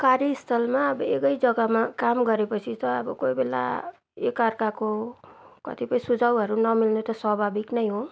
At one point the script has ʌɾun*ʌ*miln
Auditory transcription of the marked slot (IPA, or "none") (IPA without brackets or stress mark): ʌ